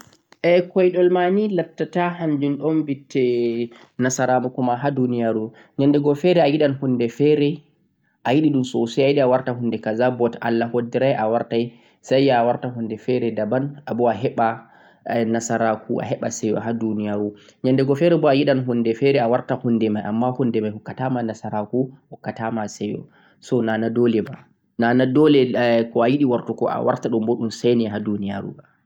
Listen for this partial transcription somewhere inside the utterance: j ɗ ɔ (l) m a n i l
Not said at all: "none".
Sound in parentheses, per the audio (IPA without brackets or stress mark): l